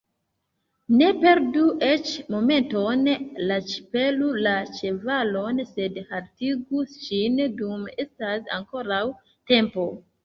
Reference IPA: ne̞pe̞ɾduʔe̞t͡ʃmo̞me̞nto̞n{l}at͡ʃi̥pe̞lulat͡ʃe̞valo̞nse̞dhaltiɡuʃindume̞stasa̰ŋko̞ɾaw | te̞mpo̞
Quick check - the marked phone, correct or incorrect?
correct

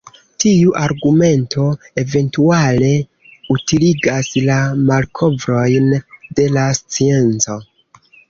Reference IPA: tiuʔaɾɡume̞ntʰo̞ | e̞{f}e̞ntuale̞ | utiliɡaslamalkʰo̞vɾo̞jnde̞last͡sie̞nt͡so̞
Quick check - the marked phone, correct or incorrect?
incorrect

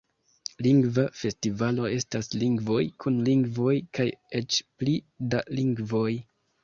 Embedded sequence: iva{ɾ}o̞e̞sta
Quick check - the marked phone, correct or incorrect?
incorrect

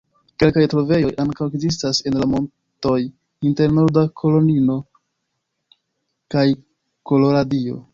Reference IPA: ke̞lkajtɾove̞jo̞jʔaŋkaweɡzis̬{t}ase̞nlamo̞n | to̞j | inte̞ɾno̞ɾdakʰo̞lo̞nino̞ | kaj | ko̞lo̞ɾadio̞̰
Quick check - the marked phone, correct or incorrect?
correct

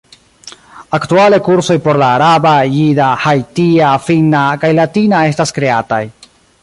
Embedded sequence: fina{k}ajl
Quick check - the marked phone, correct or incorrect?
correct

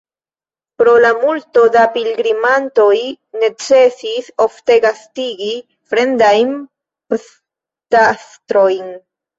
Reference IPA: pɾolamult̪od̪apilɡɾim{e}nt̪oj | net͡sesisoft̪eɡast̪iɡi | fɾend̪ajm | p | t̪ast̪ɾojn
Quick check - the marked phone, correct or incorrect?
incorrect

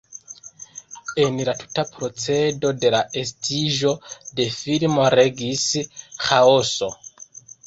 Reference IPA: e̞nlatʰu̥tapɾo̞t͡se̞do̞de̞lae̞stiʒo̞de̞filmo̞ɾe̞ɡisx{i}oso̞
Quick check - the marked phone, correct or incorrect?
incorrect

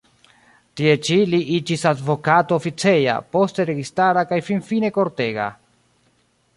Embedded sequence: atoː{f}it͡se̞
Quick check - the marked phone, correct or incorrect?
correct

